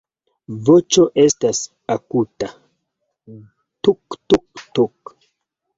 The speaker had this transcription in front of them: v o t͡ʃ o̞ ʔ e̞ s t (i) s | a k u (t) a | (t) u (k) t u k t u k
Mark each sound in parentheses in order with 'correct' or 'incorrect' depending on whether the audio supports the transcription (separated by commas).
incorrect, correct, correct, correct